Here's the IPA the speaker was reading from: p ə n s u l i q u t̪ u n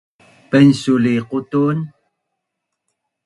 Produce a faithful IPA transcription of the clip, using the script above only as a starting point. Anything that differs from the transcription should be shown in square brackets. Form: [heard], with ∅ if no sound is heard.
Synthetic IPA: p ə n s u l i q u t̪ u n